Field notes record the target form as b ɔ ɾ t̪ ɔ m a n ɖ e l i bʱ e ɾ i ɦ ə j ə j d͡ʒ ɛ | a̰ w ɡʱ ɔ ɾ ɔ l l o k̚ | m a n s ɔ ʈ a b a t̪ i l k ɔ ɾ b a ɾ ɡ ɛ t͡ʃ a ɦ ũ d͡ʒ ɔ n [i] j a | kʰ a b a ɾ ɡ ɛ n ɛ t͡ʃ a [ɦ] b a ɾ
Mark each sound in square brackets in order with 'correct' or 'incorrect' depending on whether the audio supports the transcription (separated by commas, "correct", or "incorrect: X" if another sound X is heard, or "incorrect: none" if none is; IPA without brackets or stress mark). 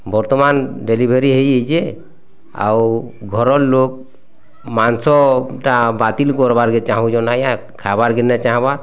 incorrect: a, correct